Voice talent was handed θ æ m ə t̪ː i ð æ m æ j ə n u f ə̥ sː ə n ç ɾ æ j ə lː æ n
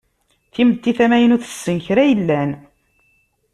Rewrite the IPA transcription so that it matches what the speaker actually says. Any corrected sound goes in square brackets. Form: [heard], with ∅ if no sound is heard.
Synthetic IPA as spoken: θ [i] m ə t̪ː i [θ] æ m æ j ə n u [θ] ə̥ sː ə n ç ɾ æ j ə lː æ n